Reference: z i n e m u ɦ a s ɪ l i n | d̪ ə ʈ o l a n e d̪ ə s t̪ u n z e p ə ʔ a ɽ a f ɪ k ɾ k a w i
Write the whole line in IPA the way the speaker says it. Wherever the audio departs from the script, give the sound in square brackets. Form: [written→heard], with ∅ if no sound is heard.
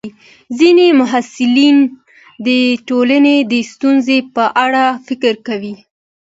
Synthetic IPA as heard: z i n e m [u→ʊ] ɦ a s ɪ l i n | d̪ ə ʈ o l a n e d̪ ə s t̪ u n z e p ə ʔ a ɽ a f ɪ k ɾ k a w i